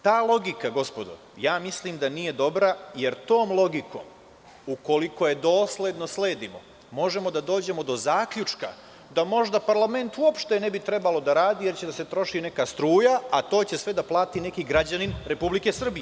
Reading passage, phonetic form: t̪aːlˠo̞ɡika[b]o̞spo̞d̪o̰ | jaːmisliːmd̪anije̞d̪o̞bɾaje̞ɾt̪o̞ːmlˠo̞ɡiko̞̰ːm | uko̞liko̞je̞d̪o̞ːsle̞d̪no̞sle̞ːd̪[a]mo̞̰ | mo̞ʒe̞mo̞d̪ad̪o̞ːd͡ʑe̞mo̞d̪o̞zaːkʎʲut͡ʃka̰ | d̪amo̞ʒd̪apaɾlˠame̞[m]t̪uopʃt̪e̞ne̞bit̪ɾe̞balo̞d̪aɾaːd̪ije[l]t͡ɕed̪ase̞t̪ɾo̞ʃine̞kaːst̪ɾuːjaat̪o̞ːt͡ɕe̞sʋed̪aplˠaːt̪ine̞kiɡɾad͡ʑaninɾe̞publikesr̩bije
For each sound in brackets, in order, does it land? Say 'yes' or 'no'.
no, no, no, no

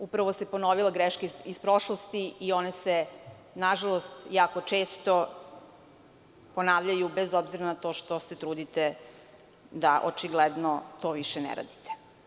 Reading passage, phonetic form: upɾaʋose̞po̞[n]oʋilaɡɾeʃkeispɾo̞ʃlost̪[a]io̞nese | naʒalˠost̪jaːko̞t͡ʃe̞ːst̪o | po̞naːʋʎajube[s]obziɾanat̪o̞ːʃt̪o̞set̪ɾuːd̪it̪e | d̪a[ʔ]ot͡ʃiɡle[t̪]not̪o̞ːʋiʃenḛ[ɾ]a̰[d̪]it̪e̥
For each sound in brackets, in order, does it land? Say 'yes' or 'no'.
yes, no, no, yes, no, yes, yes

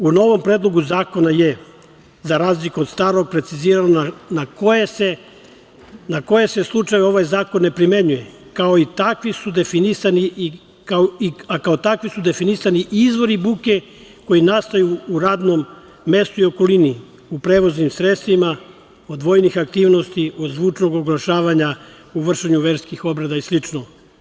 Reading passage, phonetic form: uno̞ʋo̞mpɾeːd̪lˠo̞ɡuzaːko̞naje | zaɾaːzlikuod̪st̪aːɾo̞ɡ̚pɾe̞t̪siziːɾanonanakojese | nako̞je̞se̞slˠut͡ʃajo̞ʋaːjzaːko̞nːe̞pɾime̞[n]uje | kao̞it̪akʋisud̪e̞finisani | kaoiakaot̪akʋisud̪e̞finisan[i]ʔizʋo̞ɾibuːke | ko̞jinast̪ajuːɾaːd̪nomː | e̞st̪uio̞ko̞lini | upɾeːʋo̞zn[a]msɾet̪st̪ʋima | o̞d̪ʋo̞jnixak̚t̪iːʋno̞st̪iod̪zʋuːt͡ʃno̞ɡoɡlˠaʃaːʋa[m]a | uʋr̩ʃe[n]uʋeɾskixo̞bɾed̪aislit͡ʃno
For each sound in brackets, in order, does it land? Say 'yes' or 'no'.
no, yes, no, no, no

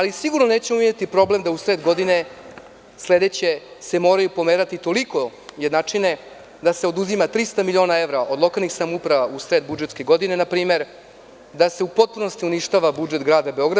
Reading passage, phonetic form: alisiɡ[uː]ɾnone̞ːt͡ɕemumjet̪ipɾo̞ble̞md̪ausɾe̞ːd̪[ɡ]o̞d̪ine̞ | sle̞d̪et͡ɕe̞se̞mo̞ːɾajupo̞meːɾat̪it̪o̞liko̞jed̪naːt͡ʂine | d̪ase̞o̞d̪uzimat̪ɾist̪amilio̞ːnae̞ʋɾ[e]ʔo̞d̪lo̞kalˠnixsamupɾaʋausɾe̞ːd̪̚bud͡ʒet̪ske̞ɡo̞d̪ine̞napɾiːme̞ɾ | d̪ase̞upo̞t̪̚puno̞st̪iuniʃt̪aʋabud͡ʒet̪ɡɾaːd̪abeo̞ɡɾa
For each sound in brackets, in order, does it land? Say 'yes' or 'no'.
no, yes, no

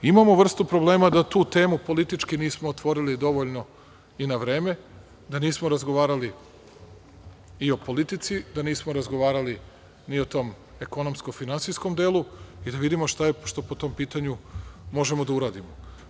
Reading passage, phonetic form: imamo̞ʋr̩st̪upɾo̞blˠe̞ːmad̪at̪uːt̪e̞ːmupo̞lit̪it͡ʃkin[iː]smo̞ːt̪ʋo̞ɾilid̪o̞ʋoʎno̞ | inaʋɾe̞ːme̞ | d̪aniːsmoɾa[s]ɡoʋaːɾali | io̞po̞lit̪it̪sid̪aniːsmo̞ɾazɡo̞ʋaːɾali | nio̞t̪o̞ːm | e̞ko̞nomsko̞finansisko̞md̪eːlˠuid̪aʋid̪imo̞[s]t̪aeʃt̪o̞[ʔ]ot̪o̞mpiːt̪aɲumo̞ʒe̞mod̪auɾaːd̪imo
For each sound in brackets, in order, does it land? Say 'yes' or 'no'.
yes, no, no, no

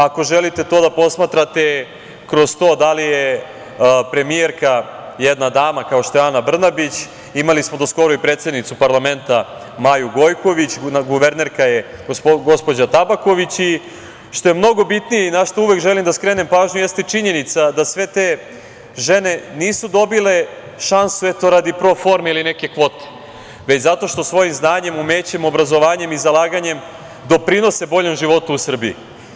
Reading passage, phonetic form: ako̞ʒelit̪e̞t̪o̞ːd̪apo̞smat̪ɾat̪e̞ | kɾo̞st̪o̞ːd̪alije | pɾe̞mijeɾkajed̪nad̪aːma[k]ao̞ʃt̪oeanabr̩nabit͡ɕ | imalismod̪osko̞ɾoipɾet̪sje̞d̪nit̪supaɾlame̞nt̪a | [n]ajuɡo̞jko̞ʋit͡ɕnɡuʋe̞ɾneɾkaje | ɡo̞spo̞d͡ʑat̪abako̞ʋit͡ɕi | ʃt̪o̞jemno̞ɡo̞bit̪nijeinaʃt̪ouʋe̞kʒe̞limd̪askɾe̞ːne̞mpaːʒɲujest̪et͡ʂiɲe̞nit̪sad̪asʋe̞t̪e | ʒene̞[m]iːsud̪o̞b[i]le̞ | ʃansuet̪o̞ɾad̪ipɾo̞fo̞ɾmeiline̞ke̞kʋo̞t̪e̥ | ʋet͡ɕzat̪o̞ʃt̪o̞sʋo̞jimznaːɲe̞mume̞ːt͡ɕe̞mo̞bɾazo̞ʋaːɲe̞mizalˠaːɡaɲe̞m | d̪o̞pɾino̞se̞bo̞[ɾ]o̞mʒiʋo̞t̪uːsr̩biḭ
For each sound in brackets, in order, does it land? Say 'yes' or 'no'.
yes, no, no, yes, no

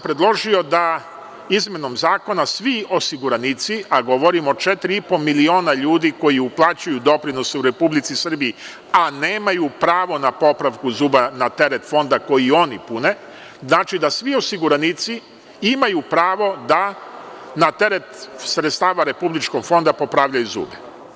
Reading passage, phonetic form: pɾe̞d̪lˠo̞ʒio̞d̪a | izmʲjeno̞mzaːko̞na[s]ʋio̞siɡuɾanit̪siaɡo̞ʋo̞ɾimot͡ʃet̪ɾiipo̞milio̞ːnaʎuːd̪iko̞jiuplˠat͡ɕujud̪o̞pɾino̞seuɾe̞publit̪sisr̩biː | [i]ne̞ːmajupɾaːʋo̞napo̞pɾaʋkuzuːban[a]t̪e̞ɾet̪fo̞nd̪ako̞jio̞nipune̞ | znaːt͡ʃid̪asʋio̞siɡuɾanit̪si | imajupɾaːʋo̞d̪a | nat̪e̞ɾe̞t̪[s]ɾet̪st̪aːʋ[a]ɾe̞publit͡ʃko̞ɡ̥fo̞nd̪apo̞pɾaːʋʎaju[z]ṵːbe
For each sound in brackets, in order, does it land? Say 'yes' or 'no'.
yes, no, yes, yes, yes, yes

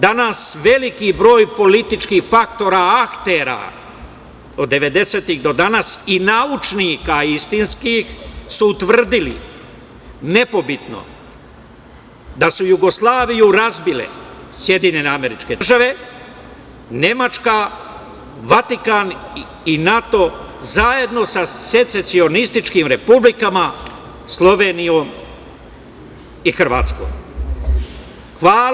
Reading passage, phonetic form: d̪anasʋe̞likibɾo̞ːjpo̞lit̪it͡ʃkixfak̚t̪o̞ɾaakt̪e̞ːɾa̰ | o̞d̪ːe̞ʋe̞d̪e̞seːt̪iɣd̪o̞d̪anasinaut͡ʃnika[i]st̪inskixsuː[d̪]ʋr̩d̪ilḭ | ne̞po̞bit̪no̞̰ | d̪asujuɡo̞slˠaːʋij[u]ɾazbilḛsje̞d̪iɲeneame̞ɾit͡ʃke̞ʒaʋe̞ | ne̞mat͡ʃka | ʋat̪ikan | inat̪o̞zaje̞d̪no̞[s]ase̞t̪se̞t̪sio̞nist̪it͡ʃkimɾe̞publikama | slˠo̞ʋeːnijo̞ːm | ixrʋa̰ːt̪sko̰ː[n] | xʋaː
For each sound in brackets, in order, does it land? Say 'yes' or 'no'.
yes, no, yes, yes, no

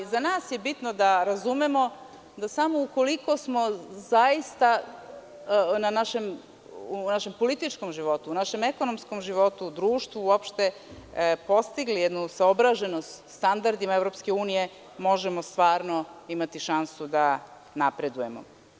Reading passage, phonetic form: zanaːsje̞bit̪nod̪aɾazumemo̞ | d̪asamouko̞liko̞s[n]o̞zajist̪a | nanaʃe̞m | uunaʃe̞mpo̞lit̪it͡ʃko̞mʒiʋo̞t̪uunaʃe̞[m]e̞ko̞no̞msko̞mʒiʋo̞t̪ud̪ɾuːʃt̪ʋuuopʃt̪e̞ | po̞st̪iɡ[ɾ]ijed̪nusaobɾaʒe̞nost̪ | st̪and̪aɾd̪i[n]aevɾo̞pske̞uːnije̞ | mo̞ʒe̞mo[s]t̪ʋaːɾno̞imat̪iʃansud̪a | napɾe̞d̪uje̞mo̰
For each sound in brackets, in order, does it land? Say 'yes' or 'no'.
no, yes, no, no, yes

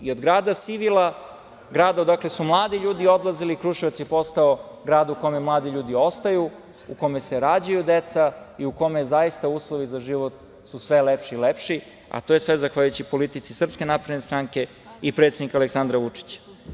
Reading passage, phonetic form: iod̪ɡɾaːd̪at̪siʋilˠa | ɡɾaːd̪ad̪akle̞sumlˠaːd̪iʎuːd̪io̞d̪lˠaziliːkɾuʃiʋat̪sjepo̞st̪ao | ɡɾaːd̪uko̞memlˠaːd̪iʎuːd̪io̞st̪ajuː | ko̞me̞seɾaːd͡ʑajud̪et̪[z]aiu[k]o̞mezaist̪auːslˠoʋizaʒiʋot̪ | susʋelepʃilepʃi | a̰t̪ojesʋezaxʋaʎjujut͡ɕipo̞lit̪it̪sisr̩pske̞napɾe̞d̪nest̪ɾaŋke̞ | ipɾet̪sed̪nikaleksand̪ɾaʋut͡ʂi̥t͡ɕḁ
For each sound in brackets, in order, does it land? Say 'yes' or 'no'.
no, yes

